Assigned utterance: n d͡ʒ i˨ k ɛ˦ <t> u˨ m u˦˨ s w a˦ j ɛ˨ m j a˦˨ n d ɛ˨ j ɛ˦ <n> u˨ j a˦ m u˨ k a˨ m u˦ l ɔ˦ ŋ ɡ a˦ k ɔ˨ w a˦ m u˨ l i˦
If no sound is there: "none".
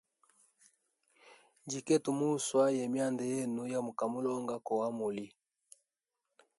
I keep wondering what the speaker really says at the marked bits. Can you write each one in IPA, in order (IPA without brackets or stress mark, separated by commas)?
t, n